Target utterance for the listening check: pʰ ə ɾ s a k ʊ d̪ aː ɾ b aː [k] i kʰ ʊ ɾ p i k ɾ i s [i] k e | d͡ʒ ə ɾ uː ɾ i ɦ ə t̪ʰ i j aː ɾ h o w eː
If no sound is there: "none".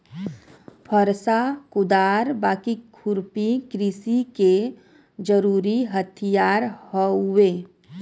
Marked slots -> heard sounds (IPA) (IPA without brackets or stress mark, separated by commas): k, i